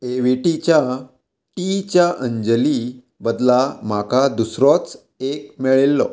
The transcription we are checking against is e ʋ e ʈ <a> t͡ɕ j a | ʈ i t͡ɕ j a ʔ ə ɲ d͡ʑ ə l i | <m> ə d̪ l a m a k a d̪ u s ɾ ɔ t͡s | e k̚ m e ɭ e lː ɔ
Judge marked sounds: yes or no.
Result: no, no

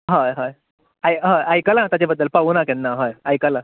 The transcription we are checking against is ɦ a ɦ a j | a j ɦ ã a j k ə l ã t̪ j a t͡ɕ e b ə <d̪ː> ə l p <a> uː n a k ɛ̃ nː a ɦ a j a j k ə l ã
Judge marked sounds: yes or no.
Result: yes, yes

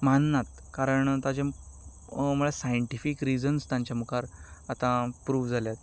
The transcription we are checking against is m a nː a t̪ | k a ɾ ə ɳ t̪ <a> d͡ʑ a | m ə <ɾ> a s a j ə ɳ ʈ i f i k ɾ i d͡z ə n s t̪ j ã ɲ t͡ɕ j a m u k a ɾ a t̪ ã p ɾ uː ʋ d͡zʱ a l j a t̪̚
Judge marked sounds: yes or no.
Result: yes, no

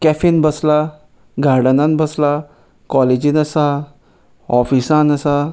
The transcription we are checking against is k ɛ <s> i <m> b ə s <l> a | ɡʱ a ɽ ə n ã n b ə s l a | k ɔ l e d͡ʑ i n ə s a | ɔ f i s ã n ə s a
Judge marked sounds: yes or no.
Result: no, no, yes

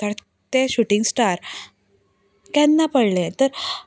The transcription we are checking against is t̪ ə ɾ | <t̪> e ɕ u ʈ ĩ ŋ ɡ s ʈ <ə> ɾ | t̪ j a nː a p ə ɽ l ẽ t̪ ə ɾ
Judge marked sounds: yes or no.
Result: yes, no

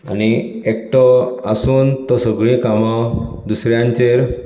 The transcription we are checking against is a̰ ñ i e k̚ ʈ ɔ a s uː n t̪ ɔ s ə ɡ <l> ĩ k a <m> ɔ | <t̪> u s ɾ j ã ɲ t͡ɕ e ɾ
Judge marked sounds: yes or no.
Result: no, yes, no

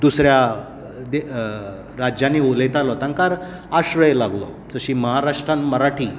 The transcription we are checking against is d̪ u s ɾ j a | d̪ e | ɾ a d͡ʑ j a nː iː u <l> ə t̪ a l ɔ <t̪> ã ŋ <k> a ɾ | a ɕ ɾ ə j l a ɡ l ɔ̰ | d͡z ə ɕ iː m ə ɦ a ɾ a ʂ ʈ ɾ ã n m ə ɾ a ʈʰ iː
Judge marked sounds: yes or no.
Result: yes, yes, yes

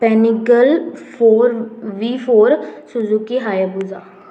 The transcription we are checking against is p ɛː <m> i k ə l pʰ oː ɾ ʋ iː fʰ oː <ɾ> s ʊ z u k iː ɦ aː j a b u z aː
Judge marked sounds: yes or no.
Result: no, yes

